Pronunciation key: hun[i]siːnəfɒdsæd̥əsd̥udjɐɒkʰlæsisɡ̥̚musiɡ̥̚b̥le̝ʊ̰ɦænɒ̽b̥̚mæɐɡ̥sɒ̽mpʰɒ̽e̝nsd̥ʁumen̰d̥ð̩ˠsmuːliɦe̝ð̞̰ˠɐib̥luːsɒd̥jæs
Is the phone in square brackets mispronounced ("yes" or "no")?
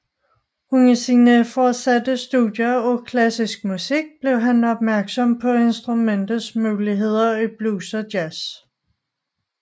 no